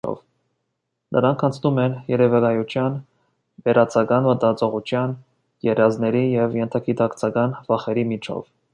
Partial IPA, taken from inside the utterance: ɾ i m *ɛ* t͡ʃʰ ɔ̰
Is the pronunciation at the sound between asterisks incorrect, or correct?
incorrect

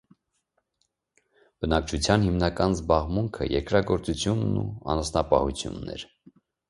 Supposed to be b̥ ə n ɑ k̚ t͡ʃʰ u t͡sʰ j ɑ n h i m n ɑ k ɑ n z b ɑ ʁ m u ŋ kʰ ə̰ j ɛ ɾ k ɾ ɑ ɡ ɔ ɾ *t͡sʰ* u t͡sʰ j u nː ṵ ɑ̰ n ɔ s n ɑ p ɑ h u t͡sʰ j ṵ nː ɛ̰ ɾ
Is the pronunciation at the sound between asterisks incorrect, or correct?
incorrect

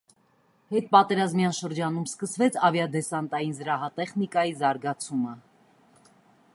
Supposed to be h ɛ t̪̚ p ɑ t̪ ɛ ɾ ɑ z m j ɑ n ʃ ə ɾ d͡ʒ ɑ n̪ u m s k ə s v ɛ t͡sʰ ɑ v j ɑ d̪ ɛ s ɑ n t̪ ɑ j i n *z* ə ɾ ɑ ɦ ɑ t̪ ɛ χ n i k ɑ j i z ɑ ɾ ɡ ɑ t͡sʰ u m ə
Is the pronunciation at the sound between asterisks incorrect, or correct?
correct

